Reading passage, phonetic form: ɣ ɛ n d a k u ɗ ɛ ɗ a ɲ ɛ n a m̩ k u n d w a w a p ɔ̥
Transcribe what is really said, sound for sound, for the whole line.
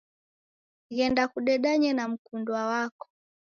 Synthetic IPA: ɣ ɛ n d a k u ɗ ɛ ɗ a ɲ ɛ n a m̩ k u n d w a w a k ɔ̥